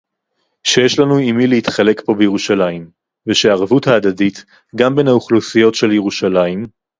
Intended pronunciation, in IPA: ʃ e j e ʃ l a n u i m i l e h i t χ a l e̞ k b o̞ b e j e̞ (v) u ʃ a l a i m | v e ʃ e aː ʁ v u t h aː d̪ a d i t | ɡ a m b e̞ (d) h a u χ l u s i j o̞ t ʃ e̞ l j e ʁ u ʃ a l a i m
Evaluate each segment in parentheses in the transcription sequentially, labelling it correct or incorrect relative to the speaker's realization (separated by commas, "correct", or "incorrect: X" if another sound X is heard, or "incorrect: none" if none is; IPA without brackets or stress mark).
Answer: incorrect: ʁ, incorrect: n